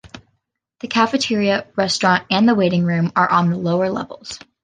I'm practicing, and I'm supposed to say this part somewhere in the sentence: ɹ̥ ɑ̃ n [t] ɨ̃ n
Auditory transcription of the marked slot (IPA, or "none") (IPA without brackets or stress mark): t